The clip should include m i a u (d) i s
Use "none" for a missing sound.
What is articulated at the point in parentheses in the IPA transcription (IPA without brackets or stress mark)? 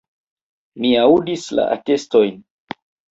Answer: d